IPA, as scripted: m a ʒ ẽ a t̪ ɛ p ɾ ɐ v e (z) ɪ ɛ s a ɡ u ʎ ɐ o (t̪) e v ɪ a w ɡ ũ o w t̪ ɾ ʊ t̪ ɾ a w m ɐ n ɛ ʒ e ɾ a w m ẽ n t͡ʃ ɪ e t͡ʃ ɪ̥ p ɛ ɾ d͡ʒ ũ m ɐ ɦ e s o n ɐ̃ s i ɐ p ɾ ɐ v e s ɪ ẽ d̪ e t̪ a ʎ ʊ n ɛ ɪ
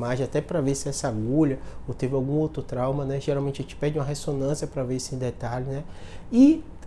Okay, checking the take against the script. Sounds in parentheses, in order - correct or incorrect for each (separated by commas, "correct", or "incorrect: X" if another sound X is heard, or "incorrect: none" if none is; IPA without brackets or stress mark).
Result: incorrect: s, correct